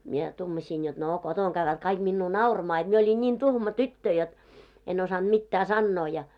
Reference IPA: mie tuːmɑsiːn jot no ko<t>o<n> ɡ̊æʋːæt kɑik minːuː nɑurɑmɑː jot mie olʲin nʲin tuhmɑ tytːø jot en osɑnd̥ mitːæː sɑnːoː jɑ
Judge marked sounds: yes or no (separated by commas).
yes, no